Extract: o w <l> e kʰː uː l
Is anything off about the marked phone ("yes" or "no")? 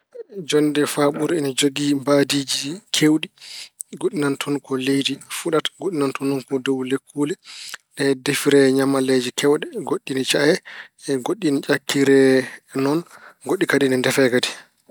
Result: no